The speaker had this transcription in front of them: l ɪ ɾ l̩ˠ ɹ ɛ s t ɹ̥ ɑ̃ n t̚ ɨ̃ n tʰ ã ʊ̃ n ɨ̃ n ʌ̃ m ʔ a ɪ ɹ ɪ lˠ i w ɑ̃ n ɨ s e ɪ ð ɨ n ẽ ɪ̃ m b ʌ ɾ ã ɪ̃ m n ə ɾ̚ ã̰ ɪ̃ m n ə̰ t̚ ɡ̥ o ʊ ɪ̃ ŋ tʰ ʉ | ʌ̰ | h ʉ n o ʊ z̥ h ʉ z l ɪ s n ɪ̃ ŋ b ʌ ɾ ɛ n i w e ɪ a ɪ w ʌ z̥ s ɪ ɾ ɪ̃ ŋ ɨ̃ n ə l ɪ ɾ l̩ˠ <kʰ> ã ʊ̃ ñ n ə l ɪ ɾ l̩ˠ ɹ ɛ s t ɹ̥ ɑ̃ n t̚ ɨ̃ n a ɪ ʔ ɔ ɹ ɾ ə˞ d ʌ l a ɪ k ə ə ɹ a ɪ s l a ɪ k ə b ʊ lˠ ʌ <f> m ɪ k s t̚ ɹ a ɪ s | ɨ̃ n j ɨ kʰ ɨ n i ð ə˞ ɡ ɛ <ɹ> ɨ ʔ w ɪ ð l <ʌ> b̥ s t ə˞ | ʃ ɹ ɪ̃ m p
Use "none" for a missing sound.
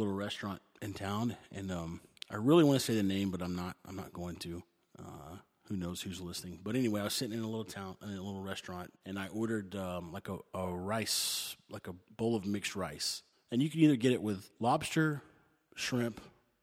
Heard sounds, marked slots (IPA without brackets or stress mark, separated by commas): tʰ, v, ɾ, ɑ